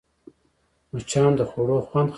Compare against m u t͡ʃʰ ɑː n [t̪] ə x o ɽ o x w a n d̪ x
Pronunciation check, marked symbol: incorrect: d̪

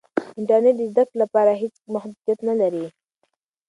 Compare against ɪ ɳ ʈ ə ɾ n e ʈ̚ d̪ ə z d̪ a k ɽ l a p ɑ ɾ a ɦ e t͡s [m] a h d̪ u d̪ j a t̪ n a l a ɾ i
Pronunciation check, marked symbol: correct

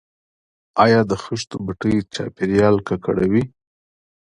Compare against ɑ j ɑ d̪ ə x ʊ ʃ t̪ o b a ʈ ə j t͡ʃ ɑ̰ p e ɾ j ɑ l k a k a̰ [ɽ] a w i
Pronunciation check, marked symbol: correct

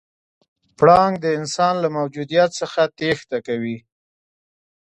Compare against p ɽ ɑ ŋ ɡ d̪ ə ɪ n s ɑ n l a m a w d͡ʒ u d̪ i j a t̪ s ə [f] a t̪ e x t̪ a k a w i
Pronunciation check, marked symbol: incorrect: x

